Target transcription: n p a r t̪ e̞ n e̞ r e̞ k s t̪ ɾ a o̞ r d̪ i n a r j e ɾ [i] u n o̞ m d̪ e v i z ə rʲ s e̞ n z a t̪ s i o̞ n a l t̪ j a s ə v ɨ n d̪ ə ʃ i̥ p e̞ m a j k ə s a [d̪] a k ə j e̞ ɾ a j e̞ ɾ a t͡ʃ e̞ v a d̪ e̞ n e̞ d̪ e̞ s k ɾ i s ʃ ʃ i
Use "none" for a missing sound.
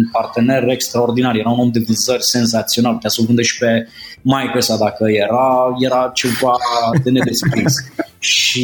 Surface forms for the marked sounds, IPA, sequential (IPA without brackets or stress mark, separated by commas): a, d̪